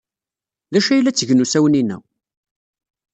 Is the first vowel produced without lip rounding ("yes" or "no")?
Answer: yes